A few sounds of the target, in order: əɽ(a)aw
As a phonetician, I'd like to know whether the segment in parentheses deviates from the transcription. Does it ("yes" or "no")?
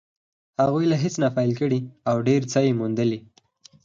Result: yes